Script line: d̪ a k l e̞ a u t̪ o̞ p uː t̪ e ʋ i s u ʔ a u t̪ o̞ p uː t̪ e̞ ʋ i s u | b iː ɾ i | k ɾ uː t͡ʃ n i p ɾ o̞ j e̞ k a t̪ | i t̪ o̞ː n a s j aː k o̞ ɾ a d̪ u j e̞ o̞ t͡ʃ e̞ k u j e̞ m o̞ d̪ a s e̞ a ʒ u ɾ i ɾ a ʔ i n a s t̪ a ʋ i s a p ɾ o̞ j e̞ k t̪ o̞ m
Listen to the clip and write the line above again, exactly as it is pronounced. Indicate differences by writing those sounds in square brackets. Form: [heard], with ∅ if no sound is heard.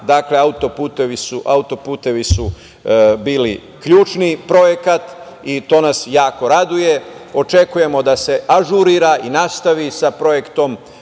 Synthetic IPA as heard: d̪ a k l e̞ a u t̪ o̞ p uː t̪ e ʋ i s u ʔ a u t̪ o̞ p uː t̪ e̞ ʋ i s u | b iː [l] i | k [ʎ] uː t͡ʃ n i p ɾ o̞ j e̞ k a t̪ | i t̪ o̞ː n a s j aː k o̞ ɾ a d̪ u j e̞ o̞ t͡ʃ e̞ k u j e̞ m o̞ d̪ a s e̞ a ʒ u ɾ i ɾ a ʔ i n a s t̪ a ʋ i s a p ɾ o̞ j e̞ k t̪ o̞ m